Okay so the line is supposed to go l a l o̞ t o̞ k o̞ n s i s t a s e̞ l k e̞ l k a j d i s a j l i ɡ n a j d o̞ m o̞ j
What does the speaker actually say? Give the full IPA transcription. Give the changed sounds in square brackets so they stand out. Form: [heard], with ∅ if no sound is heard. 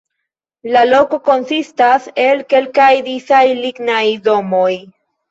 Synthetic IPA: l a l o̞ [k] o̞ k o̞ n s i s t a s e̞ l k e̞ l k a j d i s a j l i ɡ n a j d o̞ m o̞ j